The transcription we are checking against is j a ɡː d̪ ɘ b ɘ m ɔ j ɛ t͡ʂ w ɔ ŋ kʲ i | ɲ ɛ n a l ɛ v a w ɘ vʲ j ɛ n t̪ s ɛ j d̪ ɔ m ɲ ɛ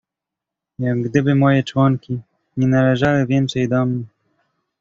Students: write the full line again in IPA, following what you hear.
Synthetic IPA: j a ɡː d̪ ɘ b ɘ m ɔ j ɛ t͡ʂ w ɔ ŋ kʲ i | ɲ ɛ n a l ɛ ʐ a w ɘ vʲ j ɛ n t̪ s ɛ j d̪ ɔ m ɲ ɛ